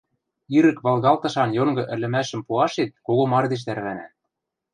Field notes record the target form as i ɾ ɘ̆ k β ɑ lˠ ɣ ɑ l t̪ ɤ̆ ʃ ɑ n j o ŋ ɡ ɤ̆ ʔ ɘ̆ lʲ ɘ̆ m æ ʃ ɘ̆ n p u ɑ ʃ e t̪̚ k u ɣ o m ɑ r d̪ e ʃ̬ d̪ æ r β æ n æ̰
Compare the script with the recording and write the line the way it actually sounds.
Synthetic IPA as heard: i ɾ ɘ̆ k β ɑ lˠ ɣ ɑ l t̪ ɤ̆ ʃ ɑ n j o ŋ ɡ ɤ̆ ʔ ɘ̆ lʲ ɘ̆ m æ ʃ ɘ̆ m p u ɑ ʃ e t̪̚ k o ɣ o m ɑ r d̪ e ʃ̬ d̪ æ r β æ n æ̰